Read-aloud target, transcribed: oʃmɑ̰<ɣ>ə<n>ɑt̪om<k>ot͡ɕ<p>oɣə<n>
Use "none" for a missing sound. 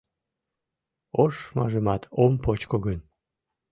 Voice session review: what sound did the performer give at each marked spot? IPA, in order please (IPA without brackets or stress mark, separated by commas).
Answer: ʒ, m, p, k, n